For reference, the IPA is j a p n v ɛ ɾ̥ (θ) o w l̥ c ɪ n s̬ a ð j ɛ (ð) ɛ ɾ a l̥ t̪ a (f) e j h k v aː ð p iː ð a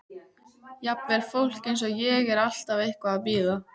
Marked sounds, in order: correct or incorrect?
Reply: incorrect, incorrect, incorrect

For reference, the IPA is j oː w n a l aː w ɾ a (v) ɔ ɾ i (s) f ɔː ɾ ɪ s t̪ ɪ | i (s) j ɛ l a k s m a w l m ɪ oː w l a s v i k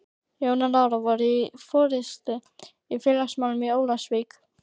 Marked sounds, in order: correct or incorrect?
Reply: correct, incorrect, incorrect

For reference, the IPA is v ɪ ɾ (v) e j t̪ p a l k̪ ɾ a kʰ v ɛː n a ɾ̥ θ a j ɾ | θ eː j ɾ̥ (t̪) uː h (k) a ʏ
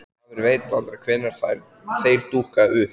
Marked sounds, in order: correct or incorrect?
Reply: correct, correct, correct

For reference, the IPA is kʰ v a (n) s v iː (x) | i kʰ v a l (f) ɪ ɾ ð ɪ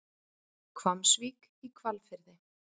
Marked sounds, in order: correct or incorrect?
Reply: incorrect, incorrect, correct

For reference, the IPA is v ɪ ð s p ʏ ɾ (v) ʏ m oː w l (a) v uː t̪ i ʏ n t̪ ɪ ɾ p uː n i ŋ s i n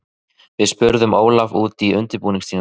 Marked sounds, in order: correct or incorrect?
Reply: incorrect, correct

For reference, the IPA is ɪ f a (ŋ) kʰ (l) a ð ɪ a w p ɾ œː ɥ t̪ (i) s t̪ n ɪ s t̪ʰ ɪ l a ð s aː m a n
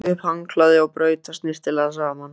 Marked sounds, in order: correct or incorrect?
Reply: correct, correct, incorrect

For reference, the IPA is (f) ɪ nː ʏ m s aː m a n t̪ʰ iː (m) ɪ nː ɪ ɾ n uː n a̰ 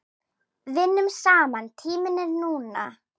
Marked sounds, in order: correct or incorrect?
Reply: incorrect, correct

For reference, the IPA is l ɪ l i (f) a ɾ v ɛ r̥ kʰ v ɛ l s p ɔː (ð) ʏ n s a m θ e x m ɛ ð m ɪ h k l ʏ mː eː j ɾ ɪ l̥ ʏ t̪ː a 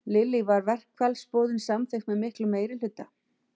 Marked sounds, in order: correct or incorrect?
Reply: incorrect, correct

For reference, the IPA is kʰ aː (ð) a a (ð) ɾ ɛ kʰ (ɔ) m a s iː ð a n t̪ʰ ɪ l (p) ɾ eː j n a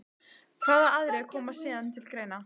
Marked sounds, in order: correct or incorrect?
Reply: correct, correct, incorrect, incorrect

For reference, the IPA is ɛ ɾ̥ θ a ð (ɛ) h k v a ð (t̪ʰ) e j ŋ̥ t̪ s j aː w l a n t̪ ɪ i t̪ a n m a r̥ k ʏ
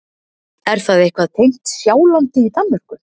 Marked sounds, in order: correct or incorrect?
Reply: incorrect, correct

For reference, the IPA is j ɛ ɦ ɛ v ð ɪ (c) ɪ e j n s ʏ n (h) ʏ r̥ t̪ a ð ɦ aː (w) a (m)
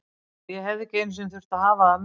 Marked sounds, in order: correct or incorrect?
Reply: correct, incorrect, incorrect, correct

